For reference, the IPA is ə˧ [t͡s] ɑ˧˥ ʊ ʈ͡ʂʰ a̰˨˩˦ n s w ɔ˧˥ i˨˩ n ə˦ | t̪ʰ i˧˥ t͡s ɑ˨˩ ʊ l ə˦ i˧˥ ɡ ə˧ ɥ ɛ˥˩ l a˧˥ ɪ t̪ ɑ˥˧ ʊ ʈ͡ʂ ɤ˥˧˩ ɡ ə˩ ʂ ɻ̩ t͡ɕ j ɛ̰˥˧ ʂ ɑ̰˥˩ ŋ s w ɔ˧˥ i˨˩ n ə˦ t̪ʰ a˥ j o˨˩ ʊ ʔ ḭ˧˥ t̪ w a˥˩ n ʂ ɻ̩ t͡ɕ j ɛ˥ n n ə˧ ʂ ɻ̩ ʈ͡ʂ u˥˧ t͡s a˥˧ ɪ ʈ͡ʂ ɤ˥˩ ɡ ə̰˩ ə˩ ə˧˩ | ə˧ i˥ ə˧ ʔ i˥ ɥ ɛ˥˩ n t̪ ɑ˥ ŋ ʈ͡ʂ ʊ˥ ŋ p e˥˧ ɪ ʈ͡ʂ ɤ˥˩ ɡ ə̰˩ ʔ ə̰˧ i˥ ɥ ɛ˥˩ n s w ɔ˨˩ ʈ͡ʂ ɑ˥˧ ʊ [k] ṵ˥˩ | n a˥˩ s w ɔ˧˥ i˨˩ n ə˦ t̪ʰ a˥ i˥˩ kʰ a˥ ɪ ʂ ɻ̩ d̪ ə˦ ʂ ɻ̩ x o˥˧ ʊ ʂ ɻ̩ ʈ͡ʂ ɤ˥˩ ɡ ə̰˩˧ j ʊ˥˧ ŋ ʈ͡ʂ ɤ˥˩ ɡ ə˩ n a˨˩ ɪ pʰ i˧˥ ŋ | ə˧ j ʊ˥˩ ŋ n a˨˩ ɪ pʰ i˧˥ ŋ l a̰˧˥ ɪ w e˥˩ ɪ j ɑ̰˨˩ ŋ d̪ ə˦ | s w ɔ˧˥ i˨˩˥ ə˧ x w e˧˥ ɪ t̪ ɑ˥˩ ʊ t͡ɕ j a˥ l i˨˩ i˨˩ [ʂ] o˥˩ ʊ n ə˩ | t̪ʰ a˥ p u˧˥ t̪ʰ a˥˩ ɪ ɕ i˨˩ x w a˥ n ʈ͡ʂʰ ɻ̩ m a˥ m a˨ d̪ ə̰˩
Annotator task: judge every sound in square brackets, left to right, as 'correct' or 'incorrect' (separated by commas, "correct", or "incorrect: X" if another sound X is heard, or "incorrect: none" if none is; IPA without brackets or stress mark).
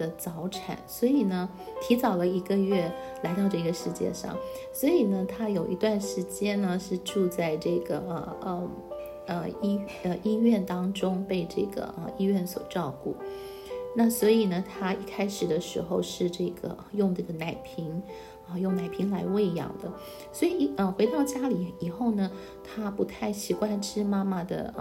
correct, correct, incorrect: x